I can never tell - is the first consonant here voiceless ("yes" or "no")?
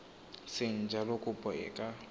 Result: yes